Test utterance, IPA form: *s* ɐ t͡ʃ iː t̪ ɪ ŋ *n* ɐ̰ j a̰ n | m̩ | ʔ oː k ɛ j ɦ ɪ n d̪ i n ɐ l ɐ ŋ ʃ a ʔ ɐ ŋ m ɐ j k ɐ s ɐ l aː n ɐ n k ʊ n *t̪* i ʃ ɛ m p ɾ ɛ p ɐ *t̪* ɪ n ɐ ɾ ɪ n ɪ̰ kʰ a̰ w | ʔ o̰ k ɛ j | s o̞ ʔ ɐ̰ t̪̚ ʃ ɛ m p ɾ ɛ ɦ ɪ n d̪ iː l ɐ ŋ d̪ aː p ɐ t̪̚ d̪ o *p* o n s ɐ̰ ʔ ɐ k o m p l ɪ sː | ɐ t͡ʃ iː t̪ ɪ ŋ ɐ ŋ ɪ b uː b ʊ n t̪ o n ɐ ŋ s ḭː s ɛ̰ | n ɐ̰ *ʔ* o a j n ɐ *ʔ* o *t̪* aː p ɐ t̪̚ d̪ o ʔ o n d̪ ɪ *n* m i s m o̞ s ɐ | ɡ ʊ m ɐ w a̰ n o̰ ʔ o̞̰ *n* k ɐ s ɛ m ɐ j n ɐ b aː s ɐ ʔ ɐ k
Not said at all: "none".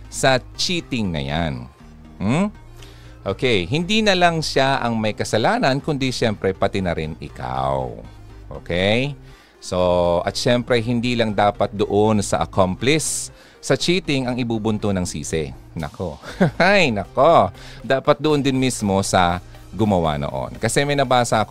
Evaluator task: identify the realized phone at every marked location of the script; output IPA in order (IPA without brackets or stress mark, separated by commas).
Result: s, n, d̪, t̪, ʔ, k, k, d̪, n, n